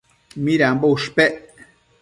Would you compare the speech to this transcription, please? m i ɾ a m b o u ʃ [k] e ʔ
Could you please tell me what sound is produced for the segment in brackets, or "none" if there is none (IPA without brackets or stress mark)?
p